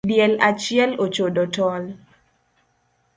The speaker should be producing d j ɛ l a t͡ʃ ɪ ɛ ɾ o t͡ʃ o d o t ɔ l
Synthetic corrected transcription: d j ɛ l a t͡ʃ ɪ ɛ l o t͡ʃ o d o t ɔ l